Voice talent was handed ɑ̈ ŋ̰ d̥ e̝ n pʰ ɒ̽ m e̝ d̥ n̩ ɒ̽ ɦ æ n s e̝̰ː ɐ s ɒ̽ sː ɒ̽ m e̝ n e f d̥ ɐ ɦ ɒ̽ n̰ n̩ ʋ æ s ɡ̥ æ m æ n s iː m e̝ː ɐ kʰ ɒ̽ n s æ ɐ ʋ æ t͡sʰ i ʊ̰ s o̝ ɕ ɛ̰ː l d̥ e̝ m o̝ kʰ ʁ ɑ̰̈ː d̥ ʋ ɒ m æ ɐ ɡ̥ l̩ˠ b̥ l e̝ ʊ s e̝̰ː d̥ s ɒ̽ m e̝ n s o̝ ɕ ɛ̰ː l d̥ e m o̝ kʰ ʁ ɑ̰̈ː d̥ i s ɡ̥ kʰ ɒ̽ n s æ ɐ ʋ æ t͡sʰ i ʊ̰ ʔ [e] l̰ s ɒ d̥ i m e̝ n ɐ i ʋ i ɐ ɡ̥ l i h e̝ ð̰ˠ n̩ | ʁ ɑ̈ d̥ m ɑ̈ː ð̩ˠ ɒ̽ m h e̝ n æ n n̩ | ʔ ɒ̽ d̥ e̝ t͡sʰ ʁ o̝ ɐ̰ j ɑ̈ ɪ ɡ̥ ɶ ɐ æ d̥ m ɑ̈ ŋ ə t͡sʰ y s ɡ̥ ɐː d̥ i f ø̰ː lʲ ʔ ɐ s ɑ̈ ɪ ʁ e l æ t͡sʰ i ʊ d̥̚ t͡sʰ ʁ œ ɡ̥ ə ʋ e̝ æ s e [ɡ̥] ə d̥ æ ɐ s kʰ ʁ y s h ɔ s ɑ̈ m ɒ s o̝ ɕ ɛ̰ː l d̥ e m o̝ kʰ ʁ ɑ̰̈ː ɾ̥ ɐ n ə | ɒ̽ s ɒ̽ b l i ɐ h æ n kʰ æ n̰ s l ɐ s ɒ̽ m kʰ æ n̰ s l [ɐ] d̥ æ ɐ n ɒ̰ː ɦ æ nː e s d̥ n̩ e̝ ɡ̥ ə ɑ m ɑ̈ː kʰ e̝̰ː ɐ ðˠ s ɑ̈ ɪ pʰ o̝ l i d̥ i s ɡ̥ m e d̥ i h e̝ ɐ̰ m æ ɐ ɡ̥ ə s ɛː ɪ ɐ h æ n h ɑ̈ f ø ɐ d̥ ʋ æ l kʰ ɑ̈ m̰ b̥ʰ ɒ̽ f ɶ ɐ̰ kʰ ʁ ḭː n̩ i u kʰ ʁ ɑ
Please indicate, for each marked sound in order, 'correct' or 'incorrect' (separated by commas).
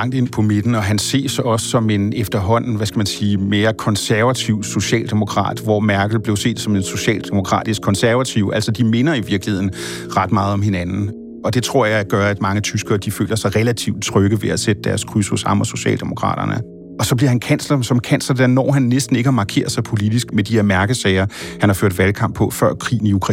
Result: incorrect, incorrect, correct